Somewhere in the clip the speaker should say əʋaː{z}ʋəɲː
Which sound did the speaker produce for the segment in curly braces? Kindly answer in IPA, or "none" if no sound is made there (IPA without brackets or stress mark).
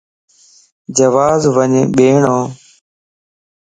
z